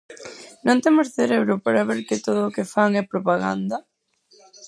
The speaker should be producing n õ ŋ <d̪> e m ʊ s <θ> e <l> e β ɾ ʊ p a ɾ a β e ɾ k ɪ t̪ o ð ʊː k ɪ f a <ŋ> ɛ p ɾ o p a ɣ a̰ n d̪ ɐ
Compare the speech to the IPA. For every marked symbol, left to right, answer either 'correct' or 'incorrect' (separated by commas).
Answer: incorrect, correct, incorrect, correct